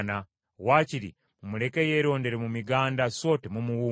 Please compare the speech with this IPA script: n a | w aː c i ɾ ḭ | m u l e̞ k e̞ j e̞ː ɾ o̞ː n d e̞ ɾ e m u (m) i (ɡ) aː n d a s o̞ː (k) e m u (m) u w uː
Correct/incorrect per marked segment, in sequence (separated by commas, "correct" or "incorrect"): correct, correct, incorrect, correct